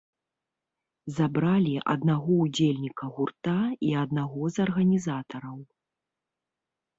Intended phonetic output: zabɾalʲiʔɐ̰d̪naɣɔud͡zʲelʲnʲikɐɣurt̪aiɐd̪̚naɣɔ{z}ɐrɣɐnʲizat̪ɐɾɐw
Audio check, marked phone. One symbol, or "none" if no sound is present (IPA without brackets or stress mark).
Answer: z